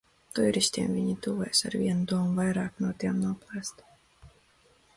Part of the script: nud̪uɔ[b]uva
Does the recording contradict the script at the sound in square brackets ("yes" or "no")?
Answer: yes